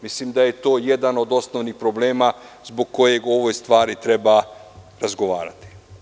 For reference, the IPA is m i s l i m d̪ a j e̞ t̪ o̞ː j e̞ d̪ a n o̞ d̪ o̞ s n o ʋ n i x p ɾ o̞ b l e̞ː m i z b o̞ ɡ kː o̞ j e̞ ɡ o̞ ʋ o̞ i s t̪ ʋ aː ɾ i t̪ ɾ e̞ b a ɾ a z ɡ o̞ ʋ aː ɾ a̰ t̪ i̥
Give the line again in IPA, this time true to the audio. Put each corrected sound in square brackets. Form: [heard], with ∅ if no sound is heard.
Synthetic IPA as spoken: m i s l i m d̪ a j e̞ t̪ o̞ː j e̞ d̪ a n o̞ d̪ o̞ s n o ʋ n i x p ɾ o̞ b l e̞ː m [a] z b o̞ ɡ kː o̞ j e̞ ɡ o̞ ʋ o̞ [j] s t̪ ʋ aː ɾ i t̪ ɾ e̞ b a ɾ a z ɡ o̞ ʋ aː ɾ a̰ t̪ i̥